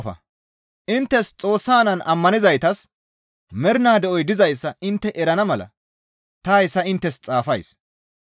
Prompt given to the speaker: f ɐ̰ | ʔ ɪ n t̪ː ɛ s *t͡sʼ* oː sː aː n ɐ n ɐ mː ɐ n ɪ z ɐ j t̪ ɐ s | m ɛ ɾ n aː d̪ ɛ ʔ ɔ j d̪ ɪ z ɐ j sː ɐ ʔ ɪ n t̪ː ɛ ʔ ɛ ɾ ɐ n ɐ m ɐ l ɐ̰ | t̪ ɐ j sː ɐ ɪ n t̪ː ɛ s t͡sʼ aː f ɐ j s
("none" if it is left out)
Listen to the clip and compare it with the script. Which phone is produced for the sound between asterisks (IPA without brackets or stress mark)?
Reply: t͡sʼ